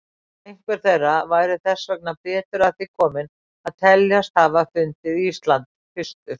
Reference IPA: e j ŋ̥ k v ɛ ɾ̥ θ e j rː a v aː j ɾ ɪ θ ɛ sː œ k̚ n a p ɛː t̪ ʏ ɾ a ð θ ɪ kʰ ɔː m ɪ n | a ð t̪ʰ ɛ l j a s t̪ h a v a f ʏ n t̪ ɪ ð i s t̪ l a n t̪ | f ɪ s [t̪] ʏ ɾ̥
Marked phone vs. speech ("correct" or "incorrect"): correct